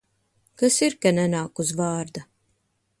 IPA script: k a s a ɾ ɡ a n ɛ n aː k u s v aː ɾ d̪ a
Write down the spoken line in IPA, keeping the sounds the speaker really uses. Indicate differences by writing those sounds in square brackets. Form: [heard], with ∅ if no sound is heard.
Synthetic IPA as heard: k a s [i] ɾ [k] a n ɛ n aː k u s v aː ɾ d̪ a